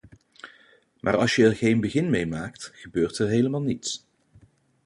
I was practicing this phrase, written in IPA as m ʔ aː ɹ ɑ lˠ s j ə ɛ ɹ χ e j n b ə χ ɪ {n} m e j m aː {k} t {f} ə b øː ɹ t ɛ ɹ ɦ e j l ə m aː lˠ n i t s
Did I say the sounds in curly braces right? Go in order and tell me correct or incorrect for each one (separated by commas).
correct, correct, incorrect